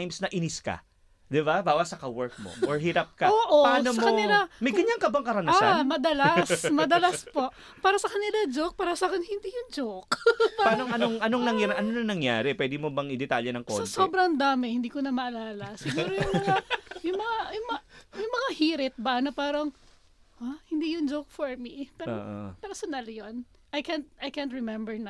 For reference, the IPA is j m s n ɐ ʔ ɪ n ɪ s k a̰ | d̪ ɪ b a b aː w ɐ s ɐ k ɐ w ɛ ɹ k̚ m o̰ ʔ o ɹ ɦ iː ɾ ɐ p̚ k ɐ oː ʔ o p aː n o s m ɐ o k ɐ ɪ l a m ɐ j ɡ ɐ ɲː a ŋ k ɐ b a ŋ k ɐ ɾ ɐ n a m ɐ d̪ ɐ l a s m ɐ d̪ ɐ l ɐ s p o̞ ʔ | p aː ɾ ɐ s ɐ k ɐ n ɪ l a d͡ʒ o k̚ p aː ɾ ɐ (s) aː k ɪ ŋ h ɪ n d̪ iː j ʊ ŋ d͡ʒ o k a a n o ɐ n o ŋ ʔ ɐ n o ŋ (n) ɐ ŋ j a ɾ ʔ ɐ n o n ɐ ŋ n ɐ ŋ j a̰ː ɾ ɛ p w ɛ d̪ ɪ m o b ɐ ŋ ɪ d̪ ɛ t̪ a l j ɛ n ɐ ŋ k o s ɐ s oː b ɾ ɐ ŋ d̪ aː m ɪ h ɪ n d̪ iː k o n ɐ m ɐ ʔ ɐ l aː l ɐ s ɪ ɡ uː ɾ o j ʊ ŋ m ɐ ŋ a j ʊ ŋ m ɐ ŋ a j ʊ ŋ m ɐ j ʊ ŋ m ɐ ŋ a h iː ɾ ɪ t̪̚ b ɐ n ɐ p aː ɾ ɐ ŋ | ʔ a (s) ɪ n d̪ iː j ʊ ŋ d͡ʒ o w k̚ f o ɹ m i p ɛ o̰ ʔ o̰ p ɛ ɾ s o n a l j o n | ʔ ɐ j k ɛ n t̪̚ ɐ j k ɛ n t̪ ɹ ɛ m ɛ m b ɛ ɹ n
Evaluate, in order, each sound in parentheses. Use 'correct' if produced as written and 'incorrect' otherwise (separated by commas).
correct, correct, incorrect